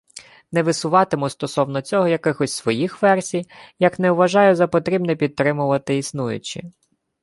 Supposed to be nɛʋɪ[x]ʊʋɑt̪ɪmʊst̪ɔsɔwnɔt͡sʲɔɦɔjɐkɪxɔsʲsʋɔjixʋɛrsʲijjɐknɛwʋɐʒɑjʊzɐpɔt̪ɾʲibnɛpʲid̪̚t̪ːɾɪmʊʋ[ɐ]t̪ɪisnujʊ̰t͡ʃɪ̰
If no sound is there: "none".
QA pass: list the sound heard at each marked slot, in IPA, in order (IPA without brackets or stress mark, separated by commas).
s, ɐ